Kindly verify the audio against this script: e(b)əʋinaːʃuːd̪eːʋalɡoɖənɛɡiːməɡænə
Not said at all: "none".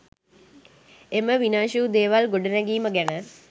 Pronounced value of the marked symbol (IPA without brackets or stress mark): m